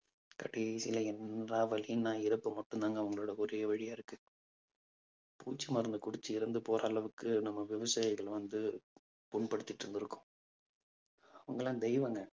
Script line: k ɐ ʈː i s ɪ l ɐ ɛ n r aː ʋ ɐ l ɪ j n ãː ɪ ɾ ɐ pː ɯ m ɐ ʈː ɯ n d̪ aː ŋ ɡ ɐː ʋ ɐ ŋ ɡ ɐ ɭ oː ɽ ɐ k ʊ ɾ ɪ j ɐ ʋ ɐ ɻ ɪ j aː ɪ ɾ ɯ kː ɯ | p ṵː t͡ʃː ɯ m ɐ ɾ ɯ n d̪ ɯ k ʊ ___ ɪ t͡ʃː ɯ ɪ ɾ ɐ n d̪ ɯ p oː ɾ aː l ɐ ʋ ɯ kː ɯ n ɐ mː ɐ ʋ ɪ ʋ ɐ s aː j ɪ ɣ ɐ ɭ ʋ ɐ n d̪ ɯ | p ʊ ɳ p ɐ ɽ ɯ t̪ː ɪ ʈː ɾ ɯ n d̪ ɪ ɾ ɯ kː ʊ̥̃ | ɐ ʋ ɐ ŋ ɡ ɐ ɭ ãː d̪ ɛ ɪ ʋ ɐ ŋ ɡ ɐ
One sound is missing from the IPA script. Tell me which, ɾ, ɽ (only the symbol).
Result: ɽ